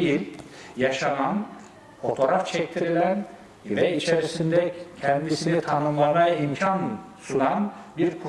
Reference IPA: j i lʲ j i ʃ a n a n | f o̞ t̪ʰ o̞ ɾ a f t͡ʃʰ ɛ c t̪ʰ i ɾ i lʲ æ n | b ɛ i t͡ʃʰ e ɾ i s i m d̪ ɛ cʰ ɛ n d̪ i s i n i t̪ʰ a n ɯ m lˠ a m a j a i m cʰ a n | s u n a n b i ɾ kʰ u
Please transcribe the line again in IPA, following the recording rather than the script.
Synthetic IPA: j i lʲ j a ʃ a n a n | f o̞ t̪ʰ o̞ ɾ a f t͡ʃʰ ɛ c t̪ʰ i ɾ i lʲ æ n | v ɛ i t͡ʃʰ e ɾ i s i n d̪ ɛ cʰ ɛ n d̪ i s i n i t̪ʰ a n ɯ m lˠ a m a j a i m cʰ a n | s u n a n b i ɾ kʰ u